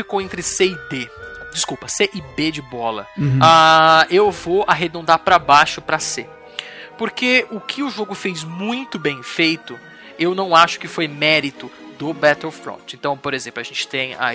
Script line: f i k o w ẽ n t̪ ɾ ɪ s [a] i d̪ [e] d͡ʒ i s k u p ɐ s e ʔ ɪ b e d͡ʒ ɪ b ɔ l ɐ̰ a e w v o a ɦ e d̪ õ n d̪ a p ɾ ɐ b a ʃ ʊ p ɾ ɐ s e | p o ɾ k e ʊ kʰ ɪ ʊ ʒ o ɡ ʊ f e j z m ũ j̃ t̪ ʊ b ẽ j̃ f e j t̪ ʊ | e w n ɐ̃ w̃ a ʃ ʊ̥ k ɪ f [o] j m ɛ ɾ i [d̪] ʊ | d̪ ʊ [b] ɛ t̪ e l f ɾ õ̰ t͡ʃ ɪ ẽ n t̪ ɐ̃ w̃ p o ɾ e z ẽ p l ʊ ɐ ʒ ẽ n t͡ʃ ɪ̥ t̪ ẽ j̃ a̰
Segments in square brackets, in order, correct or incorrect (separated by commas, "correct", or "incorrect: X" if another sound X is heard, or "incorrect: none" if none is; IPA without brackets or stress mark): incorrect: e, correct, correct, incorrect: t̪, correct